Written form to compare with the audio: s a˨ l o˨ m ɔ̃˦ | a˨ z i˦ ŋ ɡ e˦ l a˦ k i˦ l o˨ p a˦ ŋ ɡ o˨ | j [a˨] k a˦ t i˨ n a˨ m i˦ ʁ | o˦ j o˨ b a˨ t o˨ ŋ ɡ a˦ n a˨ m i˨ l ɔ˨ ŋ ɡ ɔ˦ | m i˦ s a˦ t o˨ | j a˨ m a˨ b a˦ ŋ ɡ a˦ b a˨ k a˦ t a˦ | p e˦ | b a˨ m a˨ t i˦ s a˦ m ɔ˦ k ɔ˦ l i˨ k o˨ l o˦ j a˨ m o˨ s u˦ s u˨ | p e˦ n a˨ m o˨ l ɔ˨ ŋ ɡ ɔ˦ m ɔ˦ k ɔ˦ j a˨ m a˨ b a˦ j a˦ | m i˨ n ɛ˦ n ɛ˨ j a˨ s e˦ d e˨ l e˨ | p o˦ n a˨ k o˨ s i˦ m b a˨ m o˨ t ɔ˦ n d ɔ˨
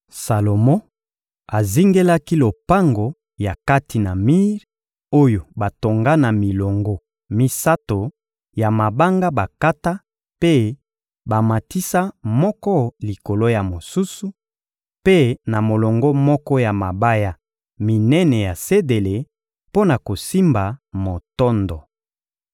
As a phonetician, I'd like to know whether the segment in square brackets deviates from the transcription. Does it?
no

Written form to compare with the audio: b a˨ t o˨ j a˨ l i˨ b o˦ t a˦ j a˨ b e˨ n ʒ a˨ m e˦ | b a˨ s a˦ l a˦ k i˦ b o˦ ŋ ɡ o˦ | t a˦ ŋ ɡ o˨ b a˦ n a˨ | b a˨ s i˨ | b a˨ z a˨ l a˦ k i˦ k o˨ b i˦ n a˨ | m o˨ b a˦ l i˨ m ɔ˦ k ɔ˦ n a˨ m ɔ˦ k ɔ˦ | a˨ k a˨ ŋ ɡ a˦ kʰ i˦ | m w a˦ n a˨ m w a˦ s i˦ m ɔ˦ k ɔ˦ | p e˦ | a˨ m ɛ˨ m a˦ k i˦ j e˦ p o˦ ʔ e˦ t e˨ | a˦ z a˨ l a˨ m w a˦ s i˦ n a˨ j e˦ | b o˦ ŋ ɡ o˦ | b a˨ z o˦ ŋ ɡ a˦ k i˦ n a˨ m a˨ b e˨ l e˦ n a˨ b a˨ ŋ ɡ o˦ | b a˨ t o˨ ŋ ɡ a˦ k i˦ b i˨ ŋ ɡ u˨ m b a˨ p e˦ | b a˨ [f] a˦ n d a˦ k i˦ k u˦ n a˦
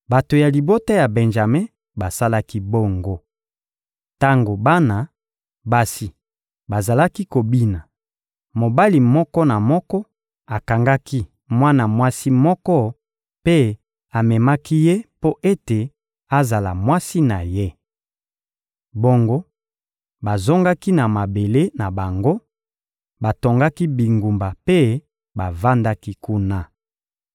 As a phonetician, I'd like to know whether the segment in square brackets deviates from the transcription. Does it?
yes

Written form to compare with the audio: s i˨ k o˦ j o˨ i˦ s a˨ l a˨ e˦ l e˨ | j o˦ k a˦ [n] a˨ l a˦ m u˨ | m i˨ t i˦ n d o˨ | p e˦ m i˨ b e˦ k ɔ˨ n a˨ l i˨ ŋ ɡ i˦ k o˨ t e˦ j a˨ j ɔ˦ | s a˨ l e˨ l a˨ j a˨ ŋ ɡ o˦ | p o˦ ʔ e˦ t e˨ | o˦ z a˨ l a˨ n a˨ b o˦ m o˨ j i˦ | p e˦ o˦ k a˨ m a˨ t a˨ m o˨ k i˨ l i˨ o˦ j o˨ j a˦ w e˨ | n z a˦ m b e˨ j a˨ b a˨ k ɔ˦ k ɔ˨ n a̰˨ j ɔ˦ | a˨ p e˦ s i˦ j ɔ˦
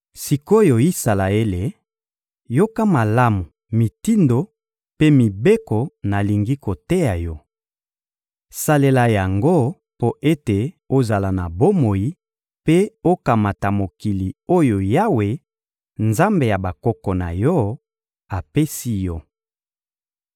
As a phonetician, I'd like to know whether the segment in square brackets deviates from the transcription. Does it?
yes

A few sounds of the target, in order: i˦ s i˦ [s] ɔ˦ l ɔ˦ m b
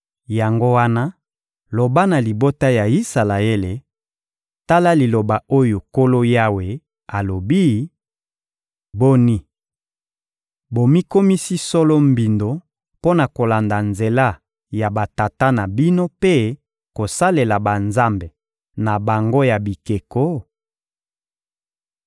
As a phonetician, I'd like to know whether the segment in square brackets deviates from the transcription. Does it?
no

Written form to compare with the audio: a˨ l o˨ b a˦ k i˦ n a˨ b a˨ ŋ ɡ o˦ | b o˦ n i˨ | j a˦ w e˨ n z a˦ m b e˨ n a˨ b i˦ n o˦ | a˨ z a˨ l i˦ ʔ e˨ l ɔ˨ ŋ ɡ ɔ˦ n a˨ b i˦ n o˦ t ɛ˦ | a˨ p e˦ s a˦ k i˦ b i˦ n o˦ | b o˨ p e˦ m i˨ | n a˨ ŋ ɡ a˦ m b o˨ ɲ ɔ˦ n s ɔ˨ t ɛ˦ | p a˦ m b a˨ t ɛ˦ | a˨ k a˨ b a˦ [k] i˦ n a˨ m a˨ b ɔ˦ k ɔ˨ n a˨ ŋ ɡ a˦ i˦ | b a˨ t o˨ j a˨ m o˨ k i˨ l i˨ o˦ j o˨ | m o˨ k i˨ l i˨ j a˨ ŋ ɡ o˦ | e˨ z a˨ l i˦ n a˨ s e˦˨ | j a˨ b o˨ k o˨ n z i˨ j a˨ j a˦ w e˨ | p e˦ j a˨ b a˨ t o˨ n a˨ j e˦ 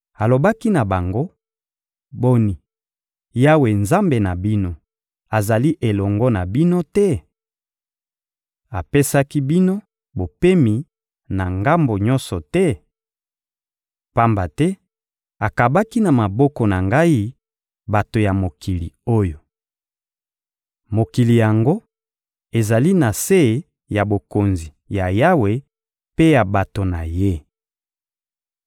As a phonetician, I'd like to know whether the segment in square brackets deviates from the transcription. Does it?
no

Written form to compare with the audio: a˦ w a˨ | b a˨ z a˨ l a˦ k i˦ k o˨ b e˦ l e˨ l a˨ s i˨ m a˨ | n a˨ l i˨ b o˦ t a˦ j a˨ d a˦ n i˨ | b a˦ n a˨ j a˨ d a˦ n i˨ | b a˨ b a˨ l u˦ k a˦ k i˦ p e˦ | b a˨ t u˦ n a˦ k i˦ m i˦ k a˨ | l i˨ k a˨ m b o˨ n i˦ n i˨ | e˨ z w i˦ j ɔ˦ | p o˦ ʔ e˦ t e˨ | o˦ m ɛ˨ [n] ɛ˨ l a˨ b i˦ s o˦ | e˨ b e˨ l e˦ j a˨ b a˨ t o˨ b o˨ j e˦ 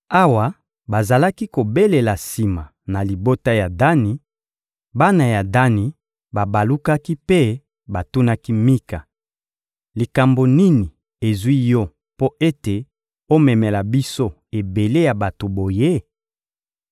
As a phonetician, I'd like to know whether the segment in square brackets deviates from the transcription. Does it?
yes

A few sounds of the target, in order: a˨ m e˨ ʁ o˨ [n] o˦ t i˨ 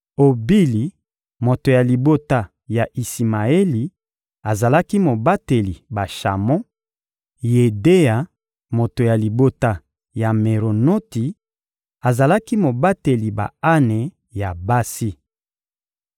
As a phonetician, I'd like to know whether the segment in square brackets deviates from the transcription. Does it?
no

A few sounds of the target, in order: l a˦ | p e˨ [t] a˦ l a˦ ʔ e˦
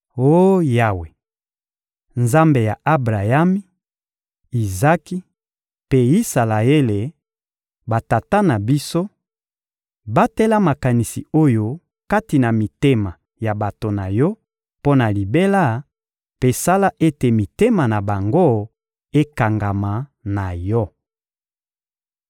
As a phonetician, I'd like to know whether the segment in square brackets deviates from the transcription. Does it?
yes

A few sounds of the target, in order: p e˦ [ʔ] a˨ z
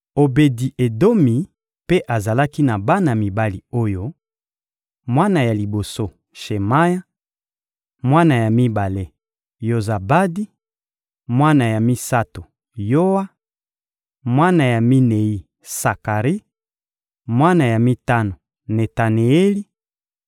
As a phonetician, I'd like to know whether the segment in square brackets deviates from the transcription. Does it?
no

